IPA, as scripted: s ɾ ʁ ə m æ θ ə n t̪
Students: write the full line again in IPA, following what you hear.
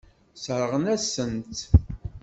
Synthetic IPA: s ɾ ʁ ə n æ s ə n t̪